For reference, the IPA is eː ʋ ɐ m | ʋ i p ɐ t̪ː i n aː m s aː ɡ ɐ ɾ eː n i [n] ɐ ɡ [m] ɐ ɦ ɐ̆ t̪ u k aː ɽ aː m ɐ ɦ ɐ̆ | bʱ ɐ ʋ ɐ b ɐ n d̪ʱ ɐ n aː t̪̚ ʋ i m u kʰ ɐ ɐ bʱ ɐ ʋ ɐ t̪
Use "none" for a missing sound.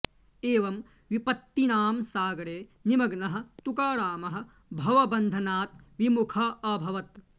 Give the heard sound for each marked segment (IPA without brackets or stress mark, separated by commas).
m, n